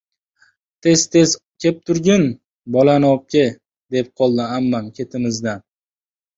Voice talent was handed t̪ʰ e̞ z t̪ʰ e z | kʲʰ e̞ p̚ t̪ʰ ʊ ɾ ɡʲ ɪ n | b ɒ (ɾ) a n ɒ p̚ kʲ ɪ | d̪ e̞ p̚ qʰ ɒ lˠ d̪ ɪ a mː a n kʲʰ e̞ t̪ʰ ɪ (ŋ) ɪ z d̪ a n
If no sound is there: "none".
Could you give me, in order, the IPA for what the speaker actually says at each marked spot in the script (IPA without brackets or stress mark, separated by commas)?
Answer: l, m